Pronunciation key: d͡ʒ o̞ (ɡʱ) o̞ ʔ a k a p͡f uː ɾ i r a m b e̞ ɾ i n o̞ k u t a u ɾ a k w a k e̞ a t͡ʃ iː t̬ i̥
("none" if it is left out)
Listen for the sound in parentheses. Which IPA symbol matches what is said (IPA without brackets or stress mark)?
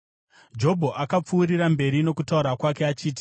bʱ